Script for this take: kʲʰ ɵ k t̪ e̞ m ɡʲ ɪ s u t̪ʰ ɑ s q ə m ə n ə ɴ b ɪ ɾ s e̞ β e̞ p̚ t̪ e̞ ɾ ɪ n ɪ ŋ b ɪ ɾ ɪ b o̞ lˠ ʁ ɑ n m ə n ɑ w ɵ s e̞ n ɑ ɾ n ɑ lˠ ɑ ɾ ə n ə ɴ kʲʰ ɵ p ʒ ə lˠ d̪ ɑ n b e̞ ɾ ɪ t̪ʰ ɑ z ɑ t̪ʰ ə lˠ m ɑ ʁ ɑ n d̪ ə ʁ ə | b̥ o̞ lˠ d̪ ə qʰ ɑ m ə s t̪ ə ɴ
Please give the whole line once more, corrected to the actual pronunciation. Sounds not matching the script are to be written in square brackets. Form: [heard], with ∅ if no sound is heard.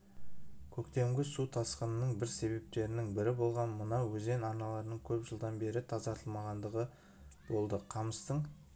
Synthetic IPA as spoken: kʲʰ ɵ k t̪ e̞ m ɡʲ ɪ s u t̪ʰ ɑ s q ə [n] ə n ə ɴ b ɪ ɾ s e̞ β e̞ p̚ t̪ e̞ ɾ ɪ n ɪ ŋ b ɪ ɾ ɪ b o̞ lˠ ʁ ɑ n m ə n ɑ w ɵ [z] e̞ n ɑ ɾ n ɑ lˠ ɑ ɾ ə n ə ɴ kʲʰ ɵ p ʒ ə lˠ d̪ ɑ n b e̞ ɾ ɪ t̪ʰ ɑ z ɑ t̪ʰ ə lˠ m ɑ ʁ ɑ n d̪ ə ʁ ə | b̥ o̞ lˠ d̪ ə qʰ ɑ m ə s t̪ ə ɴ